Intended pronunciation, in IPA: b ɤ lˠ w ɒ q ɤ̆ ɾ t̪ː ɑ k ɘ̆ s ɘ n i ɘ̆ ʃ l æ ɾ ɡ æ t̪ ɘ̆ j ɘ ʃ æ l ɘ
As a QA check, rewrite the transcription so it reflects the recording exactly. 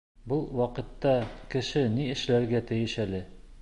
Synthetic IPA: b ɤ lˠ w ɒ q ɤ̆ t̪ː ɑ k ɘ̆ ʃ ɘ n i ɘ̆ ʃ l æ ɾ ɡ æ t̪ ɘ̆ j ɘ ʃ æ l ɘ